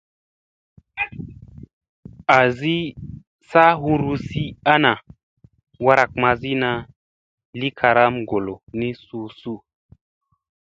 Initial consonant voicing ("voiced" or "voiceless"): voiced